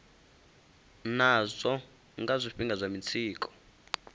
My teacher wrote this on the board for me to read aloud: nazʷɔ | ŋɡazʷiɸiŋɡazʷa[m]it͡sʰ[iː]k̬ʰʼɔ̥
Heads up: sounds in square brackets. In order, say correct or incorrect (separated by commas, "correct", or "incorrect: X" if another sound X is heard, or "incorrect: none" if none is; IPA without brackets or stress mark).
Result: correct, correct